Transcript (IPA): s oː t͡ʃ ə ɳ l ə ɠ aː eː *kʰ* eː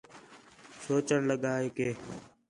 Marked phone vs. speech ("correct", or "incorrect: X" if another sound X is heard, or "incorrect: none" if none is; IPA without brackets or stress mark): incorrect: k